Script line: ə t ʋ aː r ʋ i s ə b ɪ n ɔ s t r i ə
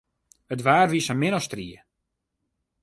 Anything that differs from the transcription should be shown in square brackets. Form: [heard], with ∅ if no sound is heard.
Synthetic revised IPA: ə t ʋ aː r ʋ i s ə [m] ɪ n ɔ s t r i ə